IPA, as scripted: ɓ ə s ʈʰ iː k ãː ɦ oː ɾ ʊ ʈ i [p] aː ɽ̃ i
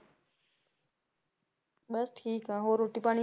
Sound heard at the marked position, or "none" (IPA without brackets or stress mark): p